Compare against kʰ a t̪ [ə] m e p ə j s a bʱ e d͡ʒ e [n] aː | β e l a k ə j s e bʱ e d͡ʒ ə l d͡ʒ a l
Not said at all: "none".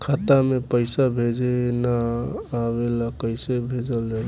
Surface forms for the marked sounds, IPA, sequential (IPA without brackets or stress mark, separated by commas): a, n